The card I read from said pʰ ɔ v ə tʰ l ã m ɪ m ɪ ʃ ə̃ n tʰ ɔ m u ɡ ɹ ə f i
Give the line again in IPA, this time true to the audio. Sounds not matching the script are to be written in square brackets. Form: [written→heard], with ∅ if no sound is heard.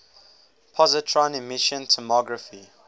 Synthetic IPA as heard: pʰ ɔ [v→z] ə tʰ [l→ɹ] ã [m→n] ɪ m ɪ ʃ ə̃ n tʰ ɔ m [u→ɔ] ɡ ɹ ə f i